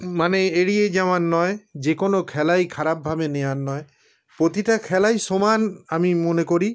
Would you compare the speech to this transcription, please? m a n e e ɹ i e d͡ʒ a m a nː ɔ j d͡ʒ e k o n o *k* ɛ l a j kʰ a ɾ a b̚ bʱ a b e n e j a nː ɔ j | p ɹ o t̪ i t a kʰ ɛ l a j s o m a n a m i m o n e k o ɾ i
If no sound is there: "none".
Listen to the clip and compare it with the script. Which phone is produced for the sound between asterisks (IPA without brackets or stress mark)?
kʰ